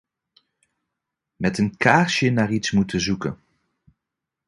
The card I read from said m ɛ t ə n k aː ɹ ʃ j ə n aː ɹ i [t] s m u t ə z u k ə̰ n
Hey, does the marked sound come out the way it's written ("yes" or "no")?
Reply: yes